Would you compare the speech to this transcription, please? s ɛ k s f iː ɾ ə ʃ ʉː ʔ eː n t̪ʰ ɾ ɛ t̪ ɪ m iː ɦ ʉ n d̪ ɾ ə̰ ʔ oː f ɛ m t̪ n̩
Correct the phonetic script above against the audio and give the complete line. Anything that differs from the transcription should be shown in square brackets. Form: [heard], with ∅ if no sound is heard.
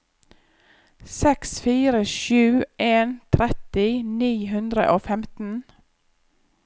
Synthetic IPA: s ɛ k s f iː ɾ ə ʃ ʉː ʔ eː n t̪ʰ ɾ ɛ t̪ ɪ [n] iː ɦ ʉ n d̪ ɾ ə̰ ʔ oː f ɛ m t̪ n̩